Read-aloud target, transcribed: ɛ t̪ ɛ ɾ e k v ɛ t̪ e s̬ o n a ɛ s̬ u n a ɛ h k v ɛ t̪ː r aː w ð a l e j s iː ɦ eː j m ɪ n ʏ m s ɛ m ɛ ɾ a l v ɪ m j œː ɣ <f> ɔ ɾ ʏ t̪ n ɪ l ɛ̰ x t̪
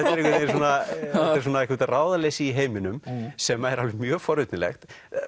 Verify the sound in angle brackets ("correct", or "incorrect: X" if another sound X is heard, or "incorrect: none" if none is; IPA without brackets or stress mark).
correct